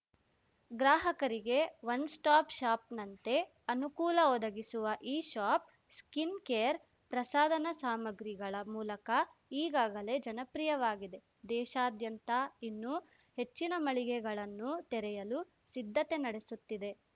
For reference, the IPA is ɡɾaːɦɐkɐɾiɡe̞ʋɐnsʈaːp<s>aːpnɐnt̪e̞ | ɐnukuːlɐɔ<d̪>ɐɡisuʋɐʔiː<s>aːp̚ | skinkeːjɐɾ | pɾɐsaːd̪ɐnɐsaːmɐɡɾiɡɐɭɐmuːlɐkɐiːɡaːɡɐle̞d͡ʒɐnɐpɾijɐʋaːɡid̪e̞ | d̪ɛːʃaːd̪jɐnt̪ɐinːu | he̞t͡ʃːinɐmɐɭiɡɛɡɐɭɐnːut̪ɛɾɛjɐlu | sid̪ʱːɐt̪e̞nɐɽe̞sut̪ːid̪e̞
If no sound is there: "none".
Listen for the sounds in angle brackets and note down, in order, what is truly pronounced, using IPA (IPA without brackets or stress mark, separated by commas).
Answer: ʃ, d̪, ʃ